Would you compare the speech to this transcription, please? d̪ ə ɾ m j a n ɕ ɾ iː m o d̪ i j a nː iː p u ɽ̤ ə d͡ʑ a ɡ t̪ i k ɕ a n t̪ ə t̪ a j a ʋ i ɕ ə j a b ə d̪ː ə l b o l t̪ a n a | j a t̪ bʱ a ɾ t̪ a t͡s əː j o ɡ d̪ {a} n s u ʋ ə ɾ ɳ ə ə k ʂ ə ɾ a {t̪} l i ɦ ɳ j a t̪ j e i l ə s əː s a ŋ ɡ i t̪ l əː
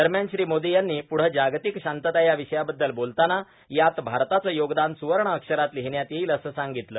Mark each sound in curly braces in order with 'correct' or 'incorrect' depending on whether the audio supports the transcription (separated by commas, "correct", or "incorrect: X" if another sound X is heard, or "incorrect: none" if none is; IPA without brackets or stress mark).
correct, correct